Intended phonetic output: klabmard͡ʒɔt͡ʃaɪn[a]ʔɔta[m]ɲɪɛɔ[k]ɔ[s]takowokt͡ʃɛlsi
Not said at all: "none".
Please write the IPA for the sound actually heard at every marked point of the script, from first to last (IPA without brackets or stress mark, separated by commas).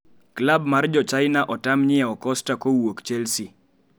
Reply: a, m, k, s